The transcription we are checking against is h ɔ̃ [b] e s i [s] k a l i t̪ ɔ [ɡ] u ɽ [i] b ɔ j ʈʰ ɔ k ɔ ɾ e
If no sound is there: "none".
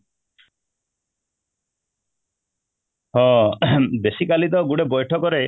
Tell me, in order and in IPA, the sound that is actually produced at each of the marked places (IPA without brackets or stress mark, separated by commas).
b, none, ɡ, e